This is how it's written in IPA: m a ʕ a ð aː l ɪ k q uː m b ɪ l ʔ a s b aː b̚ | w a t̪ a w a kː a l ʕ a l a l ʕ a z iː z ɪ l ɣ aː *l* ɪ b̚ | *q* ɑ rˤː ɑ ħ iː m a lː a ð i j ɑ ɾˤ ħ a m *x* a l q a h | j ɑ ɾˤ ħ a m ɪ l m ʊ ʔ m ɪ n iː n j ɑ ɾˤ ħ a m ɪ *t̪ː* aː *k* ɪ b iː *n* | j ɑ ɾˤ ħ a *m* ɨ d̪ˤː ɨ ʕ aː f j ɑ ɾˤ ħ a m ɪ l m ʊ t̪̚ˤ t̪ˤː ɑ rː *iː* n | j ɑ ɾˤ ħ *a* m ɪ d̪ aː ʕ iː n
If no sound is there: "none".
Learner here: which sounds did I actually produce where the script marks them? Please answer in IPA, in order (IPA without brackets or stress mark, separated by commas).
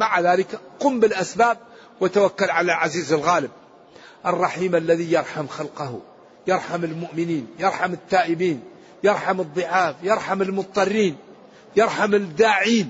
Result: l, ʔ, x, t̪ː, ʔ, n, m, iː, a